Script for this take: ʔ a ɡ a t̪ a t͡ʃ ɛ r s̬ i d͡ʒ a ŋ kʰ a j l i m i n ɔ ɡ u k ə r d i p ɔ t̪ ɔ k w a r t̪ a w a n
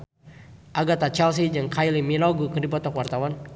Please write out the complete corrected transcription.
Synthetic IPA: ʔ a ɡ a t̪ a t͡ʃ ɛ l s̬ i d͡ʒ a ŋ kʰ a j l i m i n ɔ ɡ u k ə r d i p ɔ t̪ ɔ k w a r t̪ a w a n